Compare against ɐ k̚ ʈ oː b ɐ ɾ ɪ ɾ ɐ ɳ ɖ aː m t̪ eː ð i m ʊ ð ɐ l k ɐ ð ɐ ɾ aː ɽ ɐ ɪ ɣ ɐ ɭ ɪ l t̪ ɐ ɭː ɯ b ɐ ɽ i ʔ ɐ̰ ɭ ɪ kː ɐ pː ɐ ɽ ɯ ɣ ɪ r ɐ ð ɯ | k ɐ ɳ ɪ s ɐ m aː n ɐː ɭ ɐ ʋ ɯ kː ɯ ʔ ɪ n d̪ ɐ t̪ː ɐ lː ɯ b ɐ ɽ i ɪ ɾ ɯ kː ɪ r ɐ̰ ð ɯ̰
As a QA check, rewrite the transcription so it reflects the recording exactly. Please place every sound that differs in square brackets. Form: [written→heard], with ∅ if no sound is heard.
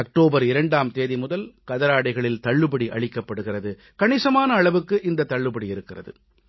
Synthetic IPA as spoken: ɐ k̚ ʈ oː b ɐ ɾ ɪ ɾ ɐ ɳ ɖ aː m t̪ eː ð i m ʊ ð ɐ l k ɐ ð ɐ ɾ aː ɽ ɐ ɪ ɣ ɐ ɭ ɪ l t̪ ɐ ɭː ɯ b ɐ ɽ i ʔ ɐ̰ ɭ ɪ kː ɐ pː ɐ ɽ ɯ ɣ ɪ r ɐ ð ɯ | k ɐ ɳ ɪ s ɐ m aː n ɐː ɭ ɐ ʋ ɯ kː ɯ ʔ ɪ n d̪ ɐ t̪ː ɐ [lː→ɭː] ɯ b ɐ ɽ i ɪ ɾ ɯ kː ɪ r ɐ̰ ð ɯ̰